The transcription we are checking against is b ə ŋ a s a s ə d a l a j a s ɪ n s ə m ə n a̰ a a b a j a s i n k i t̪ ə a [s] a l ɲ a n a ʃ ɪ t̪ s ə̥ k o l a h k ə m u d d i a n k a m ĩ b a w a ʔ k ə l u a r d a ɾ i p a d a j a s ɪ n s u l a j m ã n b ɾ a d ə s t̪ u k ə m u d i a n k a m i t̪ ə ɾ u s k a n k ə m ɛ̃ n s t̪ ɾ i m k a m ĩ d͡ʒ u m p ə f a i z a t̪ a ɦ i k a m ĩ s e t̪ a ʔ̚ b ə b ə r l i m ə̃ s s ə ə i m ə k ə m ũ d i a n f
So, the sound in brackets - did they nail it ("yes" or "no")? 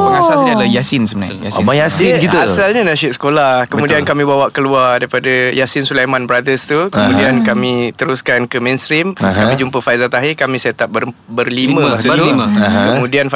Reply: yes